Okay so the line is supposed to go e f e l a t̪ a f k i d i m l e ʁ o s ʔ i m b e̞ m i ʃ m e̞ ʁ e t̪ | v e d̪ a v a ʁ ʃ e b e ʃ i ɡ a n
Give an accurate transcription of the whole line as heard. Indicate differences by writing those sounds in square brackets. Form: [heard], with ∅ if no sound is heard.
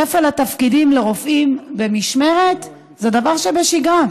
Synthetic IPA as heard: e f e l a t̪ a f k i d i m l e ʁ o [f] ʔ i m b e̞ m i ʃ m e̞ ʁ e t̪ | [z] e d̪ a v a ʁ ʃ e b e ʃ i ɡ a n